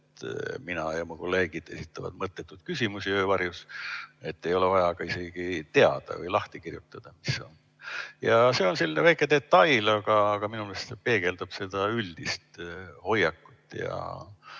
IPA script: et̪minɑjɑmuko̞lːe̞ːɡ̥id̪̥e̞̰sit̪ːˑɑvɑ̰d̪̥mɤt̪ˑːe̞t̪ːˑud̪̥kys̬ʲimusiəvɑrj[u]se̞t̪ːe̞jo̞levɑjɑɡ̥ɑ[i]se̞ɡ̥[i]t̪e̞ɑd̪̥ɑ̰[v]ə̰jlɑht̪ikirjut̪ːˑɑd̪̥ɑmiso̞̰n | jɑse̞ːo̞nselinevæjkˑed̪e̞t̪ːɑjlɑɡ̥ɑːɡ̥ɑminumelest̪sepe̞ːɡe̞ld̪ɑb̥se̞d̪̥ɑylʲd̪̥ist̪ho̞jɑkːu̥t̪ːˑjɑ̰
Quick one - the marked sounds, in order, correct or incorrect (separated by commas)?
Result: correct, correct, correct, correct